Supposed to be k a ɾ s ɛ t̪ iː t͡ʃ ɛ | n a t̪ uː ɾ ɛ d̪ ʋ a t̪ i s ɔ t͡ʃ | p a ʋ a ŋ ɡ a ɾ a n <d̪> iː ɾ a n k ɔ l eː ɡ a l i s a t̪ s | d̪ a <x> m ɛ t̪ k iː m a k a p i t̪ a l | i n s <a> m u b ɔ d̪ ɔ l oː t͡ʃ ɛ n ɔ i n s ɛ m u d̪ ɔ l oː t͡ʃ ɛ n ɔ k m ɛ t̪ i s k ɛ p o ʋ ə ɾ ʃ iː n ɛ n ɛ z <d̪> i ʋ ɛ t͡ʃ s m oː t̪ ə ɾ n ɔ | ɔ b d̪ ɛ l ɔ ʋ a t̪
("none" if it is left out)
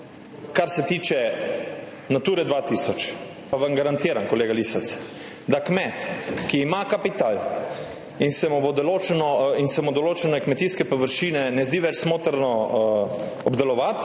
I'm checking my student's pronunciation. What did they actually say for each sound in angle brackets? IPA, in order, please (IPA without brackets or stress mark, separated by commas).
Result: t̪, k, ɛ, d̪